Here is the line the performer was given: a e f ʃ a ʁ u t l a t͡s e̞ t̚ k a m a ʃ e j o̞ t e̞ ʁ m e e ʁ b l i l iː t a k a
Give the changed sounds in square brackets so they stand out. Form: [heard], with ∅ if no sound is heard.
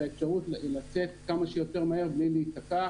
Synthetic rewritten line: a e f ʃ a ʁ u t l a t͡s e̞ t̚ k a m a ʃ e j o̞ t e̞ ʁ m [a] e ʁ b l i l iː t a k a